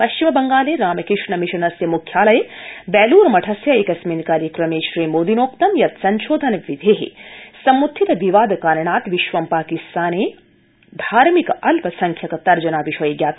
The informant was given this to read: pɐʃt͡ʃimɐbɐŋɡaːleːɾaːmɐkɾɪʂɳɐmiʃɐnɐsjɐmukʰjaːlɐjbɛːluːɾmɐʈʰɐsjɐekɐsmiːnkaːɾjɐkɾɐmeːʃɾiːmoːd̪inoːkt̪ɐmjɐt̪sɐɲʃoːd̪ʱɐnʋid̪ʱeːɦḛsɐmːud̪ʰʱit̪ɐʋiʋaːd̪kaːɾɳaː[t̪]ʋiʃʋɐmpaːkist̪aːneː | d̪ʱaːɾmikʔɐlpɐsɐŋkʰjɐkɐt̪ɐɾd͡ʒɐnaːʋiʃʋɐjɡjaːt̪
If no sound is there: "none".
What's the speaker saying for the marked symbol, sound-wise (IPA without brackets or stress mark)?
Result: t̪